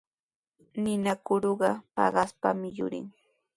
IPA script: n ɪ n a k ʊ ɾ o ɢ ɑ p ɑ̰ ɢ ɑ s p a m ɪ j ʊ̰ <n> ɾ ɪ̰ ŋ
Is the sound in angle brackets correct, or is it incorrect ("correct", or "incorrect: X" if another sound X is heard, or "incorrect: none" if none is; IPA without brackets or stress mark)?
incorrect: none